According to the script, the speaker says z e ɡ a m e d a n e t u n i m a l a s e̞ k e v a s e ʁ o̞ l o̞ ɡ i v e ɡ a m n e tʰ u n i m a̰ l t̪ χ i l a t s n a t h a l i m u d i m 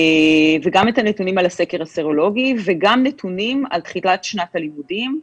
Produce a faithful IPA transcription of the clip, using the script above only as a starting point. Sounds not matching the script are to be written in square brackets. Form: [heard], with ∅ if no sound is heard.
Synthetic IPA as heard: [v] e ɡ a m e [t] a n e t u n i m a l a s e̞ k e [ʁ] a s e ʁ o̞ l o̞ ɡ i v e ɡ a m n e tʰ u n i m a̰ l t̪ χ i l a t [ʃ] n a t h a l i m u d i m

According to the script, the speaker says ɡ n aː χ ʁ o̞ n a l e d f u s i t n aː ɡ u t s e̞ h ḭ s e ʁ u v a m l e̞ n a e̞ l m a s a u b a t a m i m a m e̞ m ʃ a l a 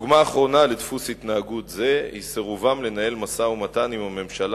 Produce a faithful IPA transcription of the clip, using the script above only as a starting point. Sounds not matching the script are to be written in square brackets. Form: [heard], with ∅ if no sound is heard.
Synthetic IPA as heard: ɡ [m] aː χ ʁ o̞ n a l e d f u s i t n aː ɡ u t [z] e̞ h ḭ s e ʁ u v a m l e̞ n a e̞ l m a s a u [m] a t a [n] i m a m e̞ m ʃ a l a

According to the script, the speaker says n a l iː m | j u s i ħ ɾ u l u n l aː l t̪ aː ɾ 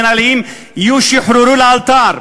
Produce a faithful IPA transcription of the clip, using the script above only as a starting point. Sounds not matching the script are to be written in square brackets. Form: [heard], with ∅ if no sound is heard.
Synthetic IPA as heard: n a l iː m | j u [ʃ] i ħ ɾ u [ɾ] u [∅] l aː l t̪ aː ɾ

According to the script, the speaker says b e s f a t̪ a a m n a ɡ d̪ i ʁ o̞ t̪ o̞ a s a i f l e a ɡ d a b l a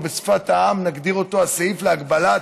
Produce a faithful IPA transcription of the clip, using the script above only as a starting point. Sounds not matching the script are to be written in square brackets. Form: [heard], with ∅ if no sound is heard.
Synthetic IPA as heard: b e s f a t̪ a a m n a ɡ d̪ i ʁ o̞ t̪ o̞ a s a i f l e a ɡ [b] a [∅] l a

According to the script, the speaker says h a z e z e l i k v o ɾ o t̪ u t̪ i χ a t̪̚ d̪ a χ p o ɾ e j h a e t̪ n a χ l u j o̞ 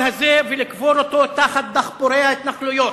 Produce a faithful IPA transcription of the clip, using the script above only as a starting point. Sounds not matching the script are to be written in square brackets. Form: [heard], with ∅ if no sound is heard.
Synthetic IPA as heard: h a z e [v] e l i k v o ɾ o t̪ [o] t̪ [a] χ a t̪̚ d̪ a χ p o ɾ e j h a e t̪ n a χ l u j o̞

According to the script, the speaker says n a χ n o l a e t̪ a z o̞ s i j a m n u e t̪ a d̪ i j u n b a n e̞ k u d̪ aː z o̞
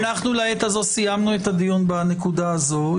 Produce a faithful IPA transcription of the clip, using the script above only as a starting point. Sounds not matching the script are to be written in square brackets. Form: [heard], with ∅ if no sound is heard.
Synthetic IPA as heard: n a χ n [u] l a e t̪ a z o̞ s i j a m n u e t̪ a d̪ i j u n b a n e̞ k u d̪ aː z o̞

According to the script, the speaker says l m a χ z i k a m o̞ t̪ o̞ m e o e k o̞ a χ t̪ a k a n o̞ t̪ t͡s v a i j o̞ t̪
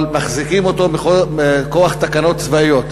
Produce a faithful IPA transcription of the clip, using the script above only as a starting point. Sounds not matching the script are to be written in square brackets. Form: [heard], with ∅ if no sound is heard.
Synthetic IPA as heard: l m a χ z i k [i] m o̞ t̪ o̞ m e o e k o̞ a χ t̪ a k a n o̞ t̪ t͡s v a i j o̞ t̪

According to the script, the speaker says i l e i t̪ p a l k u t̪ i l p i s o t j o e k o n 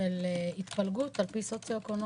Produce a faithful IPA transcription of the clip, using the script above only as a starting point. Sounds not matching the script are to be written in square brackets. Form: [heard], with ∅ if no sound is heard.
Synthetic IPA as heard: [e] l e i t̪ p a l [ɡ] u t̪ [a] l p i s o [t͡s] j o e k o n

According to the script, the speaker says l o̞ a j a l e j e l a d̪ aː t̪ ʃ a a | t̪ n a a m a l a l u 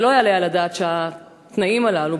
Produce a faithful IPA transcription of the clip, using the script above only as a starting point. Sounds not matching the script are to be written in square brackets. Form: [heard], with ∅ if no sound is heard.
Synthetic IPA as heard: l o̞ a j a l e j [a] l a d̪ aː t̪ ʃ [e] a | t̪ n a [i] m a l a l u

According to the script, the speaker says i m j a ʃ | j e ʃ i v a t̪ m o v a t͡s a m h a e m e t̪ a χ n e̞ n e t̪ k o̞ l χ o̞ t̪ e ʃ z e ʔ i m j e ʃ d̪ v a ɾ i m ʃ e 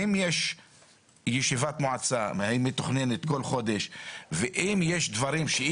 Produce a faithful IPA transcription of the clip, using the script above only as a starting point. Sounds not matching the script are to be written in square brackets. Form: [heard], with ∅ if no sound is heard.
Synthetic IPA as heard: i m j [e] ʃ | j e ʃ i v a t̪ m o [ʕ] a t͡s a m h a [i] m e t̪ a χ n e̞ n e t̪ k o̞ l χ o̞ [d̪] e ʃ [v] e ʔ i m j e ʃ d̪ v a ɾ i m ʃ e

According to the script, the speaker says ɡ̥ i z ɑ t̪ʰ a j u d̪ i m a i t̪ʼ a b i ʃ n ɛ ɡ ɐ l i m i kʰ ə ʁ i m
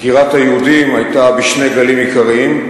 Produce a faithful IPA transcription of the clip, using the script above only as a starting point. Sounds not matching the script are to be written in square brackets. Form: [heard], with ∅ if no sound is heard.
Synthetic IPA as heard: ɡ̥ i [ʁ] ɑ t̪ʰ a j u d̪ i m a [j] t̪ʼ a b i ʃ n ɛ ɡ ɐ l i m i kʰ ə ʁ i m

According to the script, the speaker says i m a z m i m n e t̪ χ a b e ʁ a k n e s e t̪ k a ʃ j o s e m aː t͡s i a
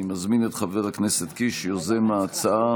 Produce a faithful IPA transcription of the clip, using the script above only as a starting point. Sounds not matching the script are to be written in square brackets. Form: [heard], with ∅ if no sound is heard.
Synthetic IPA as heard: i m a z m i [∅] n e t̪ χ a [v] e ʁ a k n e s e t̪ k [i] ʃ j o [z] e m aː t͡s [a] a

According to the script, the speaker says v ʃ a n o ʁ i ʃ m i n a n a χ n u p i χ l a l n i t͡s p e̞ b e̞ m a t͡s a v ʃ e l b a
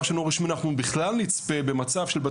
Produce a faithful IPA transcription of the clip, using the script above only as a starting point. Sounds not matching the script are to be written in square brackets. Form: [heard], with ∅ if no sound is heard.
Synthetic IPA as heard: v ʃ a n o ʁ i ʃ m i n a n a χ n u [b] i χ l a l n i t͡s p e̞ b e̞ m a t͡s a v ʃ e l b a

